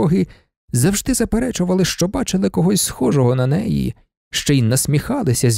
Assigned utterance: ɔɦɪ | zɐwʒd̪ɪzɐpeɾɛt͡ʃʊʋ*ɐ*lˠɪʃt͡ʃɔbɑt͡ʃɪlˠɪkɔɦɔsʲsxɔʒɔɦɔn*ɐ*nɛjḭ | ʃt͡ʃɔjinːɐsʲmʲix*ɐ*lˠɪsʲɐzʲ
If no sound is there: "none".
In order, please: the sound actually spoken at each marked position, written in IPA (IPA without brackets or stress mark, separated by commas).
ɐ, ɐ, ɑ